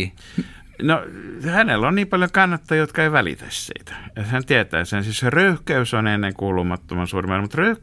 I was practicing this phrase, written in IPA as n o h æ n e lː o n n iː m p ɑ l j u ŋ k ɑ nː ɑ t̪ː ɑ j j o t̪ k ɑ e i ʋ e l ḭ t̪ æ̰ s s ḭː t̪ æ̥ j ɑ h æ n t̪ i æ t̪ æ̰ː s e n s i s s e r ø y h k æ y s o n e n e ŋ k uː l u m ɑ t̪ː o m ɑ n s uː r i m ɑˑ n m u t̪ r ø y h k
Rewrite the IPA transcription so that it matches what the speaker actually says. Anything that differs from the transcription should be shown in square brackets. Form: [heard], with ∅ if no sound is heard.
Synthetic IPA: n o h æ n e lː o n n iː m p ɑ l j [o] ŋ k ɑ nː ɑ t̪ː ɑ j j o t̪ k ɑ e i ʋ [æ] l ḭ t̪ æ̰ s s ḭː t̪ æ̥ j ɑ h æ n t̪ i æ t̪ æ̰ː s e n s i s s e r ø y h k æ y s o n e [nː] e ŋ k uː l u m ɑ t̪ː o m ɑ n s uː r i m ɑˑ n m u t̪ r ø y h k